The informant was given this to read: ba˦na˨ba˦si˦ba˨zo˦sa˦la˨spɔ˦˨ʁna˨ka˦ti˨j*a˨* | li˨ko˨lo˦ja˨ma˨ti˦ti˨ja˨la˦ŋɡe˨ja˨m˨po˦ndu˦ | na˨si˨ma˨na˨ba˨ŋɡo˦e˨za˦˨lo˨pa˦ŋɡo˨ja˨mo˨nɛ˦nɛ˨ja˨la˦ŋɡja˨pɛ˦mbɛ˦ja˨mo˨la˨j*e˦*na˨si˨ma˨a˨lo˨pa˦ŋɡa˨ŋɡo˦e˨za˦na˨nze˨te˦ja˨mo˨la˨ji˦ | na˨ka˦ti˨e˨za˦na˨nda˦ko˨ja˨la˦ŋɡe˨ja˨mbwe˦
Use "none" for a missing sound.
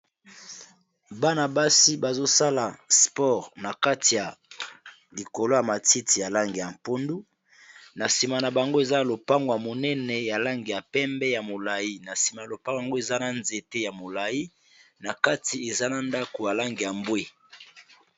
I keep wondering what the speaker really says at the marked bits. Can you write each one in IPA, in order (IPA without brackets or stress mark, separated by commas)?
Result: a˨, i˦